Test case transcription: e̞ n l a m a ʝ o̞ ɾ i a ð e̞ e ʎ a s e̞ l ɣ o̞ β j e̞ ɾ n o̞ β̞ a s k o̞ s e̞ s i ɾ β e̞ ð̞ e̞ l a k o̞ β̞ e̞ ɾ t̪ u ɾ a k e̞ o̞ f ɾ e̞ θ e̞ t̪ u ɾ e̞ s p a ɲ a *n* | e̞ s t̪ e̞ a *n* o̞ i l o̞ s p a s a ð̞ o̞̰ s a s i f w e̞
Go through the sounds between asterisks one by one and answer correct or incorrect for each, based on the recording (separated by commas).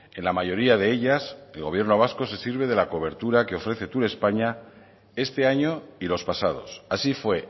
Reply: incorrect, incorrect